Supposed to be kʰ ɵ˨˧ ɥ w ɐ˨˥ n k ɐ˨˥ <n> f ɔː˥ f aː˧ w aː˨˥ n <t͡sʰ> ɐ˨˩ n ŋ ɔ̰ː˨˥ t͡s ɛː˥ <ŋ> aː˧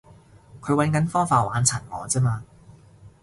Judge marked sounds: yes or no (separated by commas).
yes, yes, no